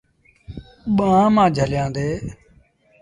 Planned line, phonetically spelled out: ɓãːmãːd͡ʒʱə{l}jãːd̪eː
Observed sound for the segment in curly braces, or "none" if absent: l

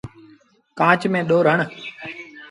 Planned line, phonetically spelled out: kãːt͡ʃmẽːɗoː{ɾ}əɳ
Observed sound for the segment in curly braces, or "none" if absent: ɾ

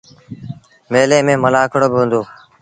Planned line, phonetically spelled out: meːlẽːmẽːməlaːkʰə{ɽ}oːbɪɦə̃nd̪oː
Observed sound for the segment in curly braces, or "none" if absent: ɽ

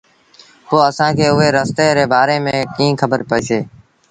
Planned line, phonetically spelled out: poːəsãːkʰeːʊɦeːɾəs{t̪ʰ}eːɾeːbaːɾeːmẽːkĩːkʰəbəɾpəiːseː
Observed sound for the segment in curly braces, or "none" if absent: t̪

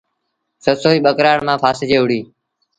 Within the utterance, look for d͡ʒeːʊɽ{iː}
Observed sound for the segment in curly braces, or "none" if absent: iː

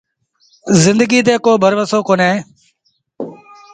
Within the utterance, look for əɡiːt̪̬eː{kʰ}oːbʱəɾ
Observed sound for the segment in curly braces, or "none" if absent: k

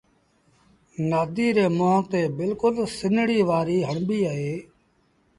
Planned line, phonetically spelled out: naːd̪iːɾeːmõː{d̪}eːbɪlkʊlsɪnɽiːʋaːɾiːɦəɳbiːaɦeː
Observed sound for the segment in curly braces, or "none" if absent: t̪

